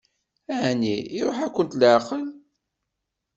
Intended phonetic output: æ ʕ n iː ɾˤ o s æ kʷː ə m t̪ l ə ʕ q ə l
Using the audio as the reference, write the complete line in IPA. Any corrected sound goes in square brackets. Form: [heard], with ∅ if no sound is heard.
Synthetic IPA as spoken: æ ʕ n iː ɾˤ o [ħ] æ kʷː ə [n] t̪ l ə ʕ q ə l